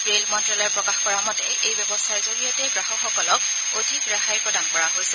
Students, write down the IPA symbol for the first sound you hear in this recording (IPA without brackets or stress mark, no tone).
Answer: ɹ